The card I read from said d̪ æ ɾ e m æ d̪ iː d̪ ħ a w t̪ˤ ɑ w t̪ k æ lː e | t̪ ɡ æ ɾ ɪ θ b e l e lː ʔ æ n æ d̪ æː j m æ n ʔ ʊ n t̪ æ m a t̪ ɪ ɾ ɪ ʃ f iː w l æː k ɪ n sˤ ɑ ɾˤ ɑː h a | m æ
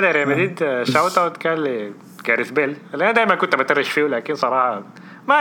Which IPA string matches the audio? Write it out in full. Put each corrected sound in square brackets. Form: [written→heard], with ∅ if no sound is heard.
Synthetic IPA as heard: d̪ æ ɾ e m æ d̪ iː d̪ [ħ→ʃ] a w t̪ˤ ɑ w t̪ k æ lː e | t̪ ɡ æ ɾ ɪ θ b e l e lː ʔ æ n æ d̪ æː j m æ n [ʔ→k] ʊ n t̪ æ m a t̪ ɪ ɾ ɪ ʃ f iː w l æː k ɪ n sˤ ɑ ɾˤ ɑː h [a→ɑ] | m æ